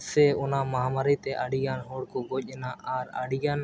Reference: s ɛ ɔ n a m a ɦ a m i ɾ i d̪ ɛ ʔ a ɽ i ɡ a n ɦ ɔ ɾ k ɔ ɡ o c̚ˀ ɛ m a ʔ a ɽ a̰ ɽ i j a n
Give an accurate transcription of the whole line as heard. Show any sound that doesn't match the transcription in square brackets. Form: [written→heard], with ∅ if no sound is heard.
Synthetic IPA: s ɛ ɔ n a m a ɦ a m [i→a] ɾ i [d̪→t̪] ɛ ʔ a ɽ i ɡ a n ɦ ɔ [ɾ→ɽ] k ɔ ɡ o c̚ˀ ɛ [m→n] a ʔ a [ɽ→ɾ] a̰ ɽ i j a n